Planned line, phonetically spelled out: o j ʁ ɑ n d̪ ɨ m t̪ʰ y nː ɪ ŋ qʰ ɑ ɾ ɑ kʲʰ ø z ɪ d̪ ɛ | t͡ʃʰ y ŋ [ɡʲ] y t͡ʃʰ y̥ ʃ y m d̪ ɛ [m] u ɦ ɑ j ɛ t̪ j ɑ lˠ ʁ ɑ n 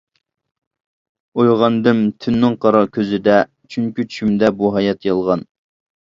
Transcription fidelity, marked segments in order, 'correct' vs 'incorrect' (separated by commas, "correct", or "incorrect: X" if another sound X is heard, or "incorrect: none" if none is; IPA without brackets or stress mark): incorrect: kʲ, incorrect: b